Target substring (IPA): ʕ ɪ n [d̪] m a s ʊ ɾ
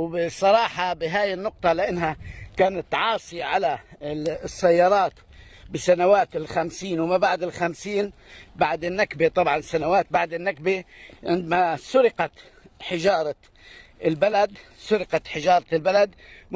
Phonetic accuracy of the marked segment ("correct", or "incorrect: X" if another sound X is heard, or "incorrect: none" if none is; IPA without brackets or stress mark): correct